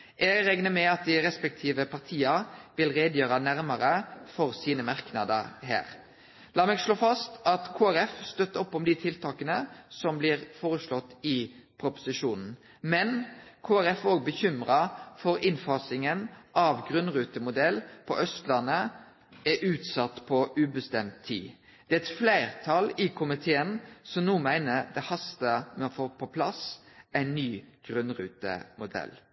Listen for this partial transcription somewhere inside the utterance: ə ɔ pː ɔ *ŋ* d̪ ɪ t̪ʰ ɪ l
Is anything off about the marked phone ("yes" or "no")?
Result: yes